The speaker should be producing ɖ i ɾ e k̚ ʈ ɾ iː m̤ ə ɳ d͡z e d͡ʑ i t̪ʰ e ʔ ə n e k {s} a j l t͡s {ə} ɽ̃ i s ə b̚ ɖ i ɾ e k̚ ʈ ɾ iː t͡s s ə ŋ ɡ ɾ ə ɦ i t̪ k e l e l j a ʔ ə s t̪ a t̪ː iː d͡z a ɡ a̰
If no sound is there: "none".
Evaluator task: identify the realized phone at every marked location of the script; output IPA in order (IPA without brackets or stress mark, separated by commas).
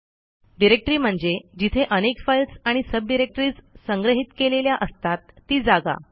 f, a